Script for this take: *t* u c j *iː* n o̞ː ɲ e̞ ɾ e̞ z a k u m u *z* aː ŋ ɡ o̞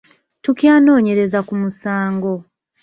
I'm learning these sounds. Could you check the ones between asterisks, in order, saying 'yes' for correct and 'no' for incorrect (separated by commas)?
yes, no, no